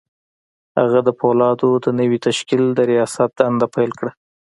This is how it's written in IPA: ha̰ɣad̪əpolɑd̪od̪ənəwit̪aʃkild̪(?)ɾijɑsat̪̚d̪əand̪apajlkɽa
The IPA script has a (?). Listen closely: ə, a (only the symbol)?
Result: ə